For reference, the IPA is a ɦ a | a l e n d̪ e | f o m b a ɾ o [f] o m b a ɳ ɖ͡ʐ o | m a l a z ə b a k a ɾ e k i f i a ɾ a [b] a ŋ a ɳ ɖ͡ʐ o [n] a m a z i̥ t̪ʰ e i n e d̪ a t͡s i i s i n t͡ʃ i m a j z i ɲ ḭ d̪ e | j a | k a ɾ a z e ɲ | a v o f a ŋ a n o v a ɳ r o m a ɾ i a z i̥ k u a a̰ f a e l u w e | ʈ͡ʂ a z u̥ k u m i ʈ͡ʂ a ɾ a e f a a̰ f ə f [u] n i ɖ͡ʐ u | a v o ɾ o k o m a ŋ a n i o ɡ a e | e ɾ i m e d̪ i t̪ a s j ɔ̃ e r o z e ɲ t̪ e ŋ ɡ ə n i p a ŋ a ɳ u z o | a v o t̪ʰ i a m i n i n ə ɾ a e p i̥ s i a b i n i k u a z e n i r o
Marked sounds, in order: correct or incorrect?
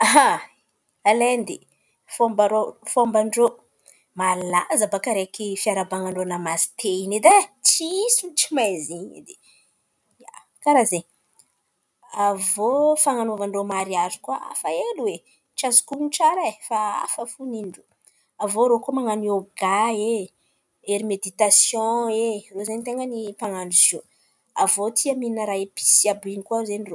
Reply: correct, correct, correct, correct

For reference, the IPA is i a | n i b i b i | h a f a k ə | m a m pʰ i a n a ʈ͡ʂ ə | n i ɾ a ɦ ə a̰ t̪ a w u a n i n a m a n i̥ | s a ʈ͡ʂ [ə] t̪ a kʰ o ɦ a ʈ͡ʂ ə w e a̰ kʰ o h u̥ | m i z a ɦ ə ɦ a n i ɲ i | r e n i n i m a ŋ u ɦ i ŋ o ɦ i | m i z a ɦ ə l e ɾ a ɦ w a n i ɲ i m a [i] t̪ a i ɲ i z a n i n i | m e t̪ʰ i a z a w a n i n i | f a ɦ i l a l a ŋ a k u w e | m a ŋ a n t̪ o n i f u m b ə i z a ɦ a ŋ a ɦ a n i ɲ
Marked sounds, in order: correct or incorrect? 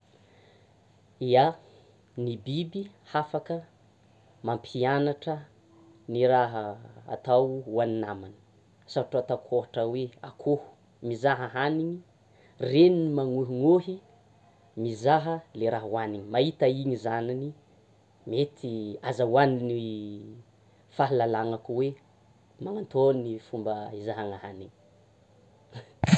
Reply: incorrect: a, correct

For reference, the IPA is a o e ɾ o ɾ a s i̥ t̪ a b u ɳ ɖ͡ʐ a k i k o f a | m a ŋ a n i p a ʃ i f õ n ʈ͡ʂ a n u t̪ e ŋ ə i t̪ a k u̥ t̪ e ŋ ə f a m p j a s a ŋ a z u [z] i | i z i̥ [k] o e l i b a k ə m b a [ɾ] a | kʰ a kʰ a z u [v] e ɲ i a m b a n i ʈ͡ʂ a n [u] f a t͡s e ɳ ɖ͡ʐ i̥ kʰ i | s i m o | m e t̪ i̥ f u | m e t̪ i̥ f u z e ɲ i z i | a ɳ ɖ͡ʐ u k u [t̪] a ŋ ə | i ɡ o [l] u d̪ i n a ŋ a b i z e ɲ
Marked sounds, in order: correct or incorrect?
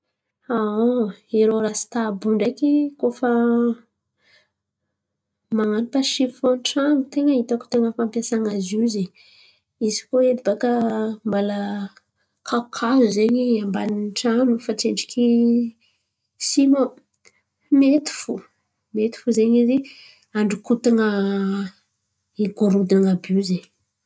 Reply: correct, correct, incorrect: l, incorrect: z, correct, correct, incorrect: ɾ

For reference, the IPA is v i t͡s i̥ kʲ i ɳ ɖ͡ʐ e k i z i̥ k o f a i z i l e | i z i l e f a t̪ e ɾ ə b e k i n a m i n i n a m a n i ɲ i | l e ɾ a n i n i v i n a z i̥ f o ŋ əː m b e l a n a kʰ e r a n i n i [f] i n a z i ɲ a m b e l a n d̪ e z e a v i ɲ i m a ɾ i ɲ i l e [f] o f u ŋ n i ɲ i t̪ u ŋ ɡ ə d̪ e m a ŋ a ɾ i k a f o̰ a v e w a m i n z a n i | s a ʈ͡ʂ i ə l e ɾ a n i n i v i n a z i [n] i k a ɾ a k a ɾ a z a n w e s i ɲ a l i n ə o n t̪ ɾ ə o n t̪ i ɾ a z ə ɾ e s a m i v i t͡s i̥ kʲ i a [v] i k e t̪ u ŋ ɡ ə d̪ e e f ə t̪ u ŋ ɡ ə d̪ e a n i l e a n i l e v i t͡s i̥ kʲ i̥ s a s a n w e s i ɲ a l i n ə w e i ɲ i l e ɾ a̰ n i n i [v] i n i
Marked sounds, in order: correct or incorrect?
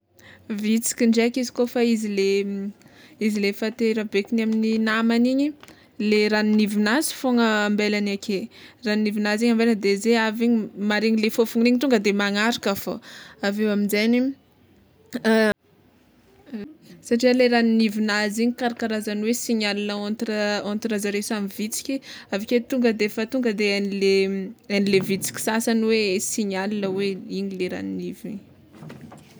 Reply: incorrect: v, correct, incorrect: ɲ, correct, correct

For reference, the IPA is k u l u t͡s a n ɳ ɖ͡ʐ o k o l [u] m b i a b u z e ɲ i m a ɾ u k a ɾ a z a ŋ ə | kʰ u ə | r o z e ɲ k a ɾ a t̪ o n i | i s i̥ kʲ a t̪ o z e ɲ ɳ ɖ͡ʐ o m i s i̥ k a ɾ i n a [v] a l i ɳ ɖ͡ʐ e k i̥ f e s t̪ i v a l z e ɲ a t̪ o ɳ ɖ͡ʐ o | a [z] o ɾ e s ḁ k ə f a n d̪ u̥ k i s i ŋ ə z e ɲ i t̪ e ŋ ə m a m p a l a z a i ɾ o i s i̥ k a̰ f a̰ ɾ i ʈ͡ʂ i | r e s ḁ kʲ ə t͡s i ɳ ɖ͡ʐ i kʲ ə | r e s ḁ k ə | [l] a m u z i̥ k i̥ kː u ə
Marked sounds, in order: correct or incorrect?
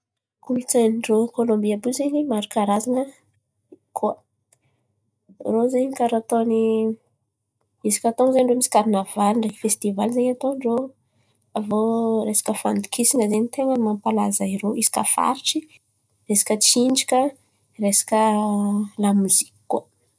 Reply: incorrect: o, correct, incorrect: v, correct

